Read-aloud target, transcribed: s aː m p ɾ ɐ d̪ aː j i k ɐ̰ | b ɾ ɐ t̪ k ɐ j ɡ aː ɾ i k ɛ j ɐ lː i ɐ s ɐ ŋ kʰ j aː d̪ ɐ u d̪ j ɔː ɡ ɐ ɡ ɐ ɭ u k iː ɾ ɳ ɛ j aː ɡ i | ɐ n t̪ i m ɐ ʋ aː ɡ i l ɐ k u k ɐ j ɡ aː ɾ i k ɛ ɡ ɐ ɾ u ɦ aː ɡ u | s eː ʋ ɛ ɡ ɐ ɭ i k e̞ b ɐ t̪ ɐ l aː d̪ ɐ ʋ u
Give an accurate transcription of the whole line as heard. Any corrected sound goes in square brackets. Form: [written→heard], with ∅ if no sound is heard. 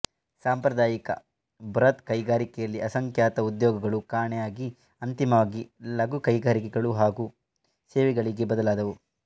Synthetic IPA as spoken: s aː m p ɾ ɐ d̪ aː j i k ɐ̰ | b ɾ ɐ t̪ k ɐ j ɡ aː ɾ i k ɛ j ɐ lː i ɐ s ɐ ŋ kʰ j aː [d̪→t̪] ɐ u d̪ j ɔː ɡ ɐ ɡ ɐ ɭ u k [iː→aː] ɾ ɳ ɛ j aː ɡ i | ɐ n t̪ i m ɐ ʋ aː ɡ i l ɐ [k→ɡ] u k ɐ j ɡ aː ɾ i k ɛ ɡ ɐ [ɾ→ɭ] u ɦ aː ɡ u | s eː ʋ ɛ ɡ ɐ ɭ i [k→ɡ] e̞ b ɐ [t̪→d̪] ɐ l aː d̪ ɐ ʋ u